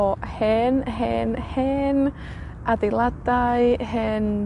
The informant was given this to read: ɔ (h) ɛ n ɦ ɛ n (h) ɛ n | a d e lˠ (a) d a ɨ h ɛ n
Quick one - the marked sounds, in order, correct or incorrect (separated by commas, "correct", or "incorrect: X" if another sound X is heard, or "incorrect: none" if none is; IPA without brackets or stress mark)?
correct, correct, correct